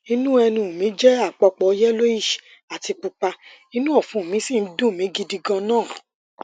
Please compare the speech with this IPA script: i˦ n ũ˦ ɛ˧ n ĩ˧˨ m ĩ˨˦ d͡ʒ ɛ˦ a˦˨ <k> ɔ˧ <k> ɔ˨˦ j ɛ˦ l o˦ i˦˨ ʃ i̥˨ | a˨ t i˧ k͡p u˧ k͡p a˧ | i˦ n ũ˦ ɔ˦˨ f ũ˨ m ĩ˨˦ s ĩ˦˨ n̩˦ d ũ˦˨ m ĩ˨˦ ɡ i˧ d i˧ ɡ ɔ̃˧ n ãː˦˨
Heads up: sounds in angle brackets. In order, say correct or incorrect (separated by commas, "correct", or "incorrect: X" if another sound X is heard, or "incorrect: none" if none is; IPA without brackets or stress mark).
incorrect: k͡p, incorrect: k͡p